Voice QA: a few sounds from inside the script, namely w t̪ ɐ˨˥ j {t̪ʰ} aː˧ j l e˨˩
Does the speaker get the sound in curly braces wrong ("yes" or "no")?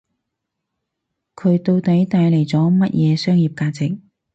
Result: yes